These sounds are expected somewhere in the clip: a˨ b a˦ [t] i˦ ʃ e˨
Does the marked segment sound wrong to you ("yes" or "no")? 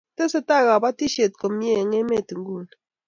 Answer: no